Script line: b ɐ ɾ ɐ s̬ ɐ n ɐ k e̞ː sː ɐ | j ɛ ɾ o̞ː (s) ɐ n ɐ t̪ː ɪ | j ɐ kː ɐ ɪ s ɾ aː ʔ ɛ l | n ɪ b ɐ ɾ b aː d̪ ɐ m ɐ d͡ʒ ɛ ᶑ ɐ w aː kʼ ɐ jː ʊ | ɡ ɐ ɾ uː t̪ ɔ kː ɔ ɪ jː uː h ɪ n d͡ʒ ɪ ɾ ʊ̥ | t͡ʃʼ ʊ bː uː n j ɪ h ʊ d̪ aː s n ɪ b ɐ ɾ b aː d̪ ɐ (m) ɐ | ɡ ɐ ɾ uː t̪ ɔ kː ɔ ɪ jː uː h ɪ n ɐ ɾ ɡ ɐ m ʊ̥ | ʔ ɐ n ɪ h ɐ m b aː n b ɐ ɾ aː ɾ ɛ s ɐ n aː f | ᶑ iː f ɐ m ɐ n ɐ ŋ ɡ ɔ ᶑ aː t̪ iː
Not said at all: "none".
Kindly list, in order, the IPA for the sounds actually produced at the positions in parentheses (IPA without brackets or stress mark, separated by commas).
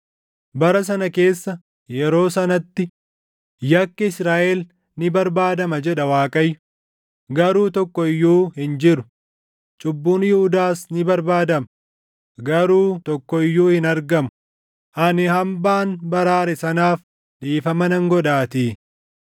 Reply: s, m